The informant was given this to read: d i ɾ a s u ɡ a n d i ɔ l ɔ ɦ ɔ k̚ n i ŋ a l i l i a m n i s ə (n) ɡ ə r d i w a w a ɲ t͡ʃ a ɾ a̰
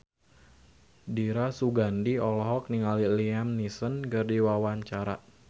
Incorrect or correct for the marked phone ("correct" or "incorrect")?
correct